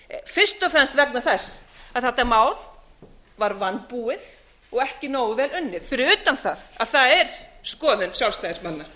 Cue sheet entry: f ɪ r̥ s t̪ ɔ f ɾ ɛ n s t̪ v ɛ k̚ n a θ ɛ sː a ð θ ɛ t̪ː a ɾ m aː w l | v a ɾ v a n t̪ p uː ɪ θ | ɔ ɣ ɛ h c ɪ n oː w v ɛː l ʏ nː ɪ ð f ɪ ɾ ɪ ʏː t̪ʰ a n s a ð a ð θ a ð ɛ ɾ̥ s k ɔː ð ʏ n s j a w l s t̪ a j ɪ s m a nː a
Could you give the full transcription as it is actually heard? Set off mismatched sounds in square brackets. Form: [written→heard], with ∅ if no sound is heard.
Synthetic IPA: f ɪ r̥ s t̪ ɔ f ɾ ɛ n s t̪ v ɛ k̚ n a θ ɛ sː a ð θ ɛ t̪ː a ɾ m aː w l | v a ɾ v a n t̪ p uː ɪ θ | ɔ ɣ ɛ h c ɪ n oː w v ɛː l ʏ nː ɪ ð f ɪ ɾ ɪ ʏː [t̪ʰ→t̪] a n [s→θ] a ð a ð θ a ð ɛ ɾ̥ s k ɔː ð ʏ n s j a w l s t̪ a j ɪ s m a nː a